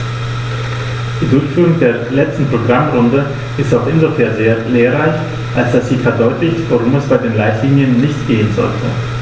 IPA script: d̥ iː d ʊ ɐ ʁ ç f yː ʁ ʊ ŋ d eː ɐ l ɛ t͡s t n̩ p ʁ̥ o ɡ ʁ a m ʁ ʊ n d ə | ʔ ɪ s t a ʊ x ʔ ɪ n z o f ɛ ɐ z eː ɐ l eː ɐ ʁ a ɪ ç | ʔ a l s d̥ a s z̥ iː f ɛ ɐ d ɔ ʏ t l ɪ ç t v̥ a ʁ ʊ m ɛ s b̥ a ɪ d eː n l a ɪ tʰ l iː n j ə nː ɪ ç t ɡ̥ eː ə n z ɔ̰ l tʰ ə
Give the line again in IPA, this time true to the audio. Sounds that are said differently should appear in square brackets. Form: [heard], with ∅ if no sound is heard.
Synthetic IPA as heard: d̥ iː d ʊ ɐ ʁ ç f yː ʁ ʊ ŋ d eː ɐ l ɛ t͡s t n̩ p ʁ̥ o ɡ ʁ a m ʁ ʊ n d ə | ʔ ɪ s t a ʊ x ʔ ɪ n z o f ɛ ɐ z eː ɐ l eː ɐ ʁ a ɪ ç | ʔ a l s d̥ a s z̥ iː f ɛ ɐ d ɔ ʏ t l ɪ ç t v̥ a ʁ ʊ m ɛ s b̥ a ɪ d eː n l a ɪ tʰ l iː n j ə nː ɪ ç t ɡ̥ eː ə n z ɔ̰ l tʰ ə